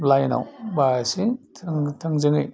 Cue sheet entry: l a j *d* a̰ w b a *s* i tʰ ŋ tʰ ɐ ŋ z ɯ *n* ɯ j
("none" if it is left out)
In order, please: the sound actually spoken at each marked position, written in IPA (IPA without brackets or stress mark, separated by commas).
n, s, ŋ